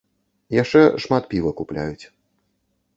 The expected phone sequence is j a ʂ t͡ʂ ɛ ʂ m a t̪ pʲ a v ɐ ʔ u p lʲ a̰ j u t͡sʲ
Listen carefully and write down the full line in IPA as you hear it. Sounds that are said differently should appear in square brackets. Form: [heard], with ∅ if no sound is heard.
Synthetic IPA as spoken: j a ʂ t͡ʂ ɛ ʂ m a t̪ pʲ [i] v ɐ [k] u p lʲ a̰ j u t͡sʲ